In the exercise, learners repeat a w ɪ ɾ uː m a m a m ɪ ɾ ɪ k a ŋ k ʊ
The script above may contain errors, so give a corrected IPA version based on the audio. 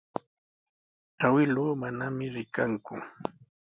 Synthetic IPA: a w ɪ l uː m a n a m ɪ ɾ ɪ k a ŋ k ʊ